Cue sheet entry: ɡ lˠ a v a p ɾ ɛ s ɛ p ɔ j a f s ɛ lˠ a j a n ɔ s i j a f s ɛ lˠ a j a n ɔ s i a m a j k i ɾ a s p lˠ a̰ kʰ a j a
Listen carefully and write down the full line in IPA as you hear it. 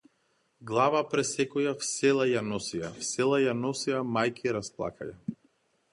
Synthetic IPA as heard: ɡ lˠ a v a p ɾ ɛ s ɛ k ɔ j a f s ɛ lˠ a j a n ɔ s i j a f s ɛ lˠ a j a n ɔ s i a m a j k i ɾ a s p lˠ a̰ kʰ a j a